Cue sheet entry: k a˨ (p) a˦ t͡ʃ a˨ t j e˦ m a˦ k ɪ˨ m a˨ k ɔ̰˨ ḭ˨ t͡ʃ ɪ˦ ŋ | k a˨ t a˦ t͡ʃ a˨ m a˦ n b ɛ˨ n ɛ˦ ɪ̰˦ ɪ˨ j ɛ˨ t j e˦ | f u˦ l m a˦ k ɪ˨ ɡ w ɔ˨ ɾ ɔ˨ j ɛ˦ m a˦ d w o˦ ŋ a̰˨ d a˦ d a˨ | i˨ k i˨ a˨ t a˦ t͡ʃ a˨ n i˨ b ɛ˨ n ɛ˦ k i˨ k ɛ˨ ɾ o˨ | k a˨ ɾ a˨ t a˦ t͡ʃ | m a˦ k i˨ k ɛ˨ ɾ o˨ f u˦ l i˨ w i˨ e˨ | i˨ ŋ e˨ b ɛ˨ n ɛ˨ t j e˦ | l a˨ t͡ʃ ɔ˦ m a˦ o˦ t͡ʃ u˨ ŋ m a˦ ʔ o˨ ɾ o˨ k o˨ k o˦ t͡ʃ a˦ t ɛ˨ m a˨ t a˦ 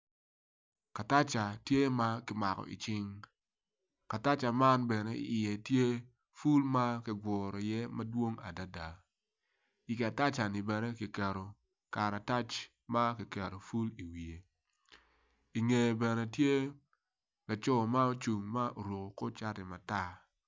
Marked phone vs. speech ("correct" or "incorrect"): incorrect